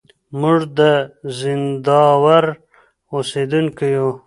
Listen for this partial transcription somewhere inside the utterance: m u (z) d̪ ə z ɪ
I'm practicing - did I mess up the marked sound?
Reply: yes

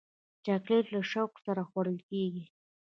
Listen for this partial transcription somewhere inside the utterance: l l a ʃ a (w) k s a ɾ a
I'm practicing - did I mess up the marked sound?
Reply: no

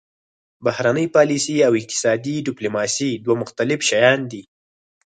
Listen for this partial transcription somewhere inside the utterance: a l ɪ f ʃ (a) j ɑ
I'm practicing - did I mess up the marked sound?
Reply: no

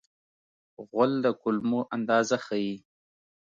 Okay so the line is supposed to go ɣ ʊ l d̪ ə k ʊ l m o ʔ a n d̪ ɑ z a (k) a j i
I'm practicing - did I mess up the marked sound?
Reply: yes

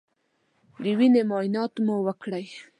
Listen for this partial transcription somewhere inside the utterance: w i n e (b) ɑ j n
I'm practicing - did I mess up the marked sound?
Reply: yes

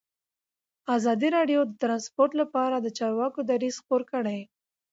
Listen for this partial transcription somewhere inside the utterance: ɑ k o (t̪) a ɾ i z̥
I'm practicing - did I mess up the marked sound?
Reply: yes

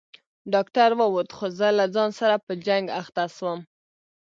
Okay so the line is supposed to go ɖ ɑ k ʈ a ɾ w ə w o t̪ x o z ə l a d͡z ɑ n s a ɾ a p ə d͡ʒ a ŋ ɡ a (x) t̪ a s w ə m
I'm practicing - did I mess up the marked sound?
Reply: no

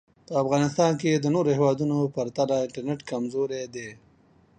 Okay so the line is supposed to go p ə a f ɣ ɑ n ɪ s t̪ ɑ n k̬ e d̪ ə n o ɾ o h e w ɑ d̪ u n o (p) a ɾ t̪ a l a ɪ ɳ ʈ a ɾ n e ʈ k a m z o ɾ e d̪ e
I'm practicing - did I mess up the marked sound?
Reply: no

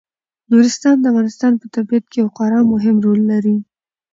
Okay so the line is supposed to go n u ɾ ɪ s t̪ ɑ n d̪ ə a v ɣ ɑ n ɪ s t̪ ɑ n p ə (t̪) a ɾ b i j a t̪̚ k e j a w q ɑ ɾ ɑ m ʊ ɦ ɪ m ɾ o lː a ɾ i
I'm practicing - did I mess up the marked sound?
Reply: no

